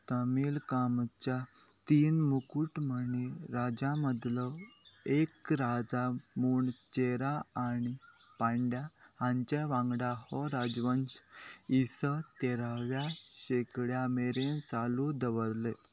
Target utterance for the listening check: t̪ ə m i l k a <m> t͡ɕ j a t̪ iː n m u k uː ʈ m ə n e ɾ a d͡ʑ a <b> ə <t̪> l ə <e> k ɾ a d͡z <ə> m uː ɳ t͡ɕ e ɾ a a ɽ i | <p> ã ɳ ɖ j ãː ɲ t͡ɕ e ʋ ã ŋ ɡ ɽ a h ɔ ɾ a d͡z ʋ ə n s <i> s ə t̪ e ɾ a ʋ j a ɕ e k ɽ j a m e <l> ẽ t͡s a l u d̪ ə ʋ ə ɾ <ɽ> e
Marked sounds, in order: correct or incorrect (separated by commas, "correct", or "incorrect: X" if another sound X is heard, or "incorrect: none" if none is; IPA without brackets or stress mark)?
correct, incorrect: m, incorrect: d̪, correct, incorrect: a, correct, correct, incorrect: ɾ, incorrect: l